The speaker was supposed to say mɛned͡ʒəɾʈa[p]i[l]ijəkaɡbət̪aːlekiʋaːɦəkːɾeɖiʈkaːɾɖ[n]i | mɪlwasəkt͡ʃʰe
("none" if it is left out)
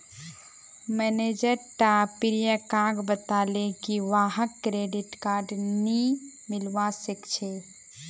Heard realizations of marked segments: p, ɾ, n

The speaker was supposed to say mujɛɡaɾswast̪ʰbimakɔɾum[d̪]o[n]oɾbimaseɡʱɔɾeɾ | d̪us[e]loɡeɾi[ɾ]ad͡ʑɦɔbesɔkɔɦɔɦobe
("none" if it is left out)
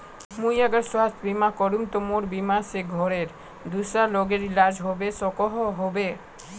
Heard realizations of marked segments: t̪, m, a, l

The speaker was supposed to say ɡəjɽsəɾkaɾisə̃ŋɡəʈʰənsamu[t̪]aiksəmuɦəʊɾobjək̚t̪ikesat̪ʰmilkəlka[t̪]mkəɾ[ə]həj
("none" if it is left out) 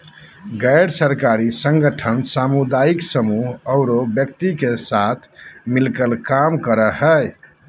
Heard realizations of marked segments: d̪, none, ə

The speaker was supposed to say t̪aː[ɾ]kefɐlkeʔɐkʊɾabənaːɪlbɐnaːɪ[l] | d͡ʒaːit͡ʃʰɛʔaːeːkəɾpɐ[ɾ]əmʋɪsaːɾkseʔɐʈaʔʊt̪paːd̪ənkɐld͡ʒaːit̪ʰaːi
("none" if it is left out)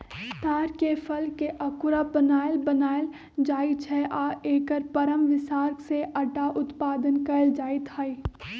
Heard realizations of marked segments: ɾ, l, ɾ

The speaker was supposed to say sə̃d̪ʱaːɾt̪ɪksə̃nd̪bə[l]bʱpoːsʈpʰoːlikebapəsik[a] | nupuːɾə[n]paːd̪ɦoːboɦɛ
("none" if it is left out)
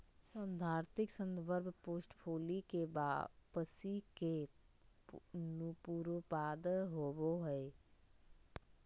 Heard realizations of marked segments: ɾ, e, none

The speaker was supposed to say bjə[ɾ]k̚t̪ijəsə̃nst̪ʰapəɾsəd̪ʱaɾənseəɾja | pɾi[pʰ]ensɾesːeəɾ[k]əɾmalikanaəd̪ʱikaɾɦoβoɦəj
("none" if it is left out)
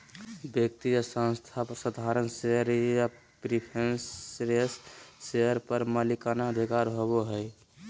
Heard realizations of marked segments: none, pʰ, p

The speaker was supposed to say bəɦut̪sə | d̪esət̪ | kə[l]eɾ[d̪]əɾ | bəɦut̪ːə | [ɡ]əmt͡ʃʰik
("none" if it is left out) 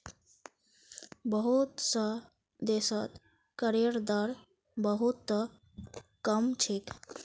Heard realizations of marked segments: ɾ, d̪, k

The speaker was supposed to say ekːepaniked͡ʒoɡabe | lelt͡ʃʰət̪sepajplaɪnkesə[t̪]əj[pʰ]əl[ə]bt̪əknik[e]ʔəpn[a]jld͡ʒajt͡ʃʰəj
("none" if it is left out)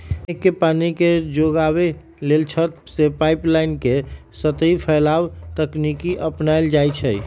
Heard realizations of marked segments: t̪, pʰ, a, i, a

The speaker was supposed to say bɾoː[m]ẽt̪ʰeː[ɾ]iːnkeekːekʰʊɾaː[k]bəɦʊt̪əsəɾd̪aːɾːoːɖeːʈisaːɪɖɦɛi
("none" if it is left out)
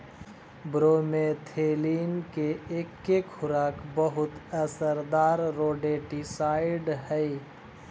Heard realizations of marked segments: m, l, k

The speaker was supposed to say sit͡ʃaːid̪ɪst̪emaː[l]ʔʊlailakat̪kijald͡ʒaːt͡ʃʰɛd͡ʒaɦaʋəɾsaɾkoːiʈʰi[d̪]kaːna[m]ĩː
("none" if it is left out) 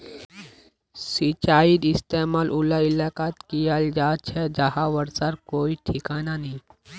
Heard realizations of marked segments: l, none, n

